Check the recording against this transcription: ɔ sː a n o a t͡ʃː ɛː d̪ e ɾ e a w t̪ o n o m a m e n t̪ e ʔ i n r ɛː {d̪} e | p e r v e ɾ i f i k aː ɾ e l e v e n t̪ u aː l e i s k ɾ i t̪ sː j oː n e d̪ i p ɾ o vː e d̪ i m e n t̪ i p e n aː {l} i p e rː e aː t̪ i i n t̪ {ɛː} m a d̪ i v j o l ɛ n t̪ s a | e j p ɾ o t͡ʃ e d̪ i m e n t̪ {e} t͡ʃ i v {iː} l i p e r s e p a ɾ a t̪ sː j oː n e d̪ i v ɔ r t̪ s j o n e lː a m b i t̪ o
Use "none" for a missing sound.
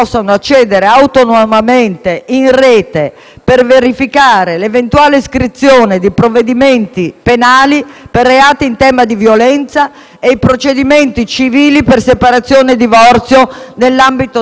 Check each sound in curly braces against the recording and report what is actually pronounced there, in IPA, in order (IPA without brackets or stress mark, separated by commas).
t̪, l, ɛː, i, iː